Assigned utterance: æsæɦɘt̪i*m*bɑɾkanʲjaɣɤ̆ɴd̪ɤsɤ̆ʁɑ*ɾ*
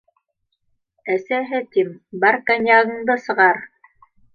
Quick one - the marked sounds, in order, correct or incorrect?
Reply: correct, correct

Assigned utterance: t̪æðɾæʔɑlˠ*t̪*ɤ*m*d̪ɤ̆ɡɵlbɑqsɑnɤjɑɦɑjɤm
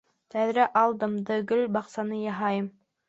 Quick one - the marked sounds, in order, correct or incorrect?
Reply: incorrect: d̪, correct

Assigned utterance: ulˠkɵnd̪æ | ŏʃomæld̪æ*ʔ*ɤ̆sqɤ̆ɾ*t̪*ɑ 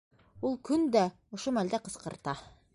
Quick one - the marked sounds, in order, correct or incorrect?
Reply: incorrect: q, correct

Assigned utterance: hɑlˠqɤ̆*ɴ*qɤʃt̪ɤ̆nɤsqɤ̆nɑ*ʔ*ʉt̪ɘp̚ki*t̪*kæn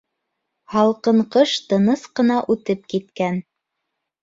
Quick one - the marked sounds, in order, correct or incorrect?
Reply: correct, correct, correct

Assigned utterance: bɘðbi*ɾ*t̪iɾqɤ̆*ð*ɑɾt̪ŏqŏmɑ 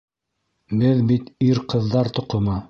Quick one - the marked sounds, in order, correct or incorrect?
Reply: incorrect: none, incorrect: ðː

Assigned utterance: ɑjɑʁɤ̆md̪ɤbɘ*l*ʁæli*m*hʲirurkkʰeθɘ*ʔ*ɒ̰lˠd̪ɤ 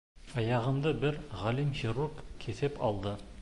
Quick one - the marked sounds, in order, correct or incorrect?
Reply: incorrect: ɾ, correct, incorrect: p

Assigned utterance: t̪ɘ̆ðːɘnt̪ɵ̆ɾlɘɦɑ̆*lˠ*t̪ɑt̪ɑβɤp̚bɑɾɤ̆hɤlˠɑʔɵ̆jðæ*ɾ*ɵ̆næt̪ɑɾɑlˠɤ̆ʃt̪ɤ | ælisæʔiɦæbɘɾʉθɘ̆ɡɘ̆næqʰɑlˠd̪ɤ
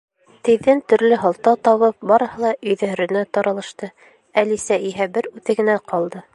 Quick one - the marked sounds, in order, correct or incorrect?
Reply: correct, correct

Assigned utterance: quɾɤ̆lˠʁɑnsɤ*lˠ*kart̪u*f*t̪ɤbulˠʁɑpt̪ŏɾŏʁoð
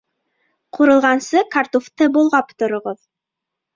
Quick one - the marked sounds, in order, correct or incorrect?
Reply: incorrect: none, correct

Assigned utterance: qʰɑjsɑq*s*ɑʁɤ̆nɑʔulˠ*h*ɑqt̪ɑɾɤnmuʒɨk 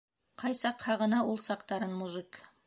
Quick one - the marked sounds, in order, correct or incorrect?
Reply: incorrect: h, incorrect: s

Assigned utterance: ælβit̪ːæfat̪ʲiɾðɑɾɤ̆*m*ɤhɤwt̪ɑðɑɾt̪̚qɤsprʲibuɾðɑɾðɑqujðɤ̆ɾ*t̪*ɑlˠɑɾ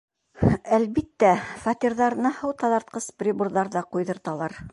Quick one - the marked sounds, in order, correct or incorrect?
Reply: incorrect: n, correct

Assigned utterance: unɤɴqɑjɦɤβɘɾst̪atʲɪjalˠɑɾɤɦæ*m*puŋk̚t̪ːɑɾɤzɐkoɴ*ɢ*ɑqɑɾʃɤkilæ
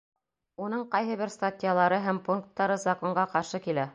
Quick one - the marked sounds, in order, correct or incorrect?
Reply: correct, correct

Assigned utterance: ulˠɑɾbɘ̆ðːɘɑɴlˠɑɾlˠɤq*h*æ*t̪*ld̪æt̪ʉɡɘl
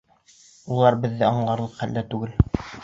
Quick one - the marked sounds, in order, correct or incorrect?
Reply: incorrect: χ, incorrect: none

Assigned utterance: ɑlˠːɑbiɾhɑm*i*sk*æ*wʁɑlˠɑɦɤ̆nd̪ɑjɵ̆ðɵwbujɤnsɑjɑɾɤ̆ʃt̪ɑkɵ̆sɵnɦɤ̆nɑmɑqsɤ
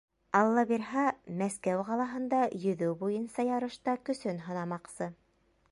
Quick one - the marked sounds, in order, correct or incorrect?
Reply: incorrect: æ, correct

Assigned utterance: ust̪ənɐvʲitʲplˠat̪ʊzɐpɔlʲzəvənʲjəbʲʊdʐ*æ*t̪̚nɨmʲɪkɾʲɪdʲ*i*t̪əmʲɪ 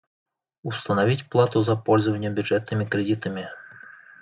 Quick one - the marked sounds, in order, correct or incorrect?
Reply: incorrect: ɛ, correct

